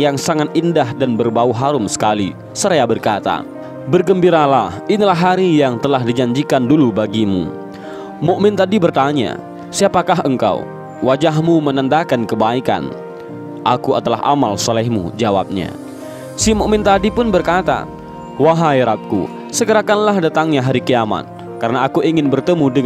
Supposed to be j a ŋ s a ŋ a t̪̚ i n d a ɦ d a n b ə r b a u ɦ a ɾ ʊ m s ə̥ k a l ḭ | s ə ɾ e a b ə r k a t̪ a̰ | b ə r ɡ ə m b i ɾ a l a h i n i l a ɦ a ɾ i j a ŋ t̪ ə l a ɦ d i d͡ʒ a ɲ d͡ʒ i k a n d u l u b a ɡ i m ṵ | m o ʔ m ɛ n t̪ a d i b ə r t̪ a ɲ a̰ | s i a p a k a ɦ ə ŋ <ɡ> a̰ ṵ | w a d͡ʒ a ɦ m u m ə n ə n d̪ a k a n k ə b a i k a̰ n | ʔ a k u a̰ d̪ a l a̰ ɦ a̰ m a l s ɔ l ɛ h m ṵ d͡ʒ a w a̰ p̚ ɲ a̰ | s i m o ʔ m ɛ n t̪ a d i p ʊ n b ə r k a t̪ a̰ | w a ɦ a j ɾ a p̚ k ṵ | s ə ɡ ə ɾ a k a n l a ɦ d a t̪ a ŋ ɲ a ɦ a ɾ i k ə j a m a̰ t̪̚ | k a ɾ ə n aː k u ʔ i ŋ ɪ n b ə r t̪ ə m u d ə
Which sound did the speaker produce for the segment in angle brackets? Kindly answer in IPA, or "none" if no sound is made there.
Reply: k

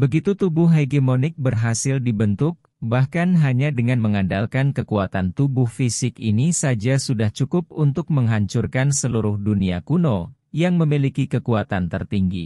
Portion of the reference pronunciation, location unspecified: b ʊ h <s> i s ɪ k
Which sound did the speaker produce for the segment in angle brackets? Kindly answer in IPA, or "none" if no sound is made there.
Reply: f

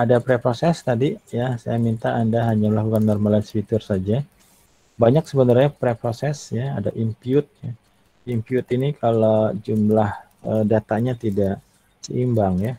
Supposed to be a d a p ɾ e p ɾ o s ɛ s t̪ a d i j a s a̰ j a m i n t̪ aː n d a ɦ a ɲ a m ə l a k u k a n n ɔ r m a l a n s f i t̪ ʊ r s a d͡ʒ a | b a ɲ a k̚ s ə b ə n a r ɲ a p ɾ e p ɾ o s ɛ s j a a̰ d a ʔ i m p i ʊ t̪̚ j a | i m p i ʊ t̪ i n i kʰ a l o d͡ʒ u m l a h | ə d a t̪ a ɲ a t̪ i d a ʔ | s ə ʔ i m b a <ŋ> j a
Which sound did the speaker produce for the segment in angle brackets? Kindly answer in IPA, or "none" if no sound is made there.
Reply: ŋ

